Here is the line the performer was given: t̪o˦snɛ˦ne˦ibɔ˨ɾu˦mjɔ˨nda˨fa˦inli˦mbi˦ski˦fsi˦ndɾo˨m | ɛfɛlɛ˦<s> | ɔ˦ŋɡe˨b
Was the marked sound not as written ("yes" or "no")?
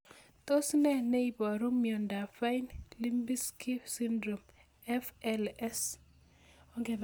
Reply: no